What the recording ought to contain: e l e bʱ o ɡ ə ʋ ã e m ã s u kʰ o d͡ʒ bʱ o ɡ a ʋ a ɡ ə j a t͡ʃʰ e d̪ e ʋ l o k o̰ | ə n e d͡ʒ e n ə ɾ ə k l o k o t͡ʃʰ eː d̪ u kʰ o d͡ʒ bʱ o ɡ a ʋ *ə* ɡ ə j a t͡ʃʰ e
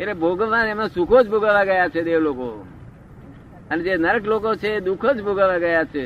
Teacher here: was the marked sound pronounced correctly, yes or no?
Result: no